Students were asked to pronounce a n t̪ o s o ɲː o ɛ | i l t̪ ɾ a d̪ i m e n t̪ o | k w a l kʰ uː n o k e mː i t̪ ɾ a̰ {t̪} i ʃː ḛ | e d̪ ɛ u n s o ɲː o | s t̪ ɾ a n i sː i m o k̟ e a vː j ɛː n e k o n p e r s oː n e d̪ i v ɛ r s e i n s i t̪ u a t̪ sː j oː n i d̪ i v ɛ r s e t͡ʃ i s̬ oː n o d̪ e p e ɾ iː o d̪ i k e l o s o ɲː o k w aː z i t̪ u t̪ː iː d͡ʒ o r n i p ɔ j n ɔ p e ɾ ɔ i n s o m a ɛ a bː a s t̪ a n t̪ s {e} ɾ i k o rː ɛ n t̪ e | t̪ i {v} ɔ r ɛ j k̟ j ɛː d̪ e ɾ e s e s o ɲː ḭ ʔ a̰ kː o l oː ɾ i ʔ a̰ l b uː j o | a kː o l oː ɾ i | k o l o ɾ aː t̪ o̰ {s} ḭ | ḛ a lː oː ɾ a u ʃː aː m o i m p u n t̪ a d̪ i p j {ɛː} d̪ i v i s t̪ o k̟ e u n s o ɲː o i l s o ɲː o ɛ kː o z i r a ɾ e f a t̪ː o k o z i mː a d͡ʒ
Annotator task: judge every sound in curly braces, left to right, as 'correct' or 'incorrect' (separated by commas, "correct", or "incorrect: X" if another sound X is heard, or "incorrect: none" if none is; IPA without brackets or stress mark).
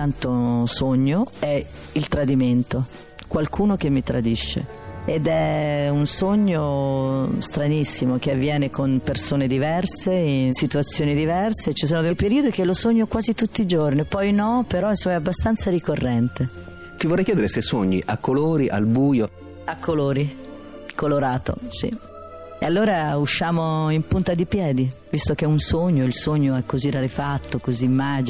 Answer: incorrect: d̪, incorrect: a, correct, correct, correct